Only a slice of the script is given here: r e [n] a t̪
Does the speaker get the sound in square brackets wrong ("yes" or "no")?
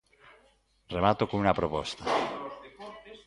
yes